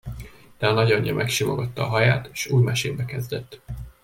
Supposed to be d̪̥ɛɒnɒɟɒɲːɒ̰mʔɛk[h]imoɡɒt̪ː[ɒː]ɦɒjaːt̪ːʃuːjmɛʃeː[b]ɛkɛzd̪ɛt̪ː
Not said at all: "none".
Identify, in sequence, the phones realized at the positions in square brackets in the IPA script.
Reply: ʃ, ɒː, b

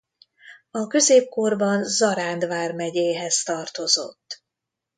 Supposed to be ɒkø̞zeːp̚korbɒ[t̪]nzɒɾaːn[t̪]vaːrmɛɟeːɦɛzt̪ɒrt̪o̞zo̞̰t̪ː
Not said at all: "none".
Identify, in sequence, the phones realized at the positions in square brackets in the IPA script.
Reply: none, d̪

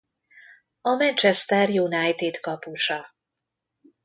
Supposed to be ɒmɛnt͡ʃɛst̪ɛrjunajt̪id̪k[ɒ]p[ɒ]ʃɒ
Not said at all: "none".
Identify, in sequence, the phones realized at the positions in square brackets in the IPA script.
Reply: ɒ, u

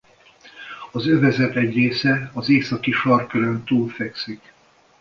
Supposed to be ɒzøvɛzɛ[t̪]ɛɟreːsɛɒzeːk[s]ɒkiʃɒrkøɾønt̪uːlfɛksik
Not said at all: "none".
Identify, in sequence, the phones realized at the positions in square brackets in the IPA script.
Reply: t̪, s

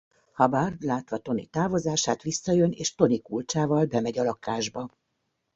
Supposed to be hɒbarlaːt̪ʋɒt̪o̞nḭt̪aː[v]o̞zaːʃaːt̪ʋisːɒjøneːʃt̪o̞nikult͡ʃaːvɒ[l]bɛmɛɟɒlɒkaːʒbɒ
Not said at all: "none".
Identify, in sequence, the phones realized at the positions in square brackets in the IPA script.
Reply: v, l

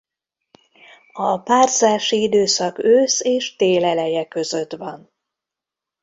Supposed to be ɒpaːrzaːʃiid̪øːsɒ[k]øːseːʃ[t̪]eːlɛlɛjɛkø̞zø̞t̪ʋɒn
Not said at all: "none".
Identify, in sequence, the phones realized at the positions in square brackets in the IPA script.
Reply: k, t̪

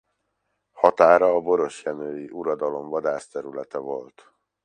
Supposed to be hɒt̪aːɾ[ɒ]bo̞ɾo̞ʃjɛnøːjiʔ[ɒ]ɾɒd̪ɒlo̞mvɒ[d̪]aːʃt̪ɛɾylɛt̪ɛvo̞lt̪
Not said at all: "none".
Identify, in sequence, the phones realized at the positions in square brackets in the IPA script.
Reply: ɒː, u, d̪

